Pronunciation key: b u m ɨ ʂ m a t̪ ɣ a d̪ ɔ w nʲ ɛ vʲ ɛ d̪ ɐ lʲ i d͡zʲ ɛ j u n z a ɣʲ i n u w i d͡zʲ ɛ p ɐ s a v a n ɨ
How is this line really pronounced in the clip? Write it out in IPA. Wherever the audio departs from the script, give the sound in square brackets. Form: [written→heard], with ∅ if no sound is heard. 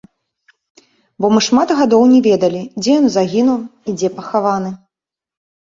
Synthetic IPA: b [u→ɔ] m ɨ ʂ m a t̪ ɣ a d̪ ɔ w nʲ ɛ vʲ ɛ d̪ ɐ lʲ i d͡zʲ ɛ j [u→ɔ] n z a ɣʲ i n u w i d͡zʲ ɛ p ɐ [s→x] a v a n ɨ